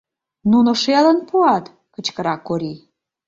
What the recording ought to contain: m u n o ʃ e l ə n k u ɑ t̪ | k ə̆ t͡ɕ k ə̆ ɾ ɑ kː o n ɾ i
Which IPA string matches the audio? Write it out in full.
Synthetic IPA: n u n o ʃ e l ə n p u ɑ t̪ | k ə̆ t͡ɕ k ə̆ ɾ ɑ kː o ɾ i

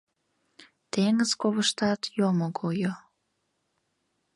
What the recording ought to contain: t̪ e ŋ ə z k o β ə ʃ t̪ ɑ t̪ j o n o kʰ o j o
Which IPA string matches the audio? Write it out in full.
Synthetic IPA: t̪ e ŋ ə z k o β ə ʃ t̪ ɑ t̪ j o m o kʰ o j o

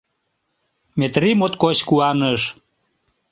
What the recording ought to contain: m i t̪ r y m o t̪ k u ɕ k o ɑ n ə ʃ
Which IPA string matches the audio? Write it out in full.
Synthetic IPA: m e t̪ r i m o t̪ k o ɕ k u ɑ n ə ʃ

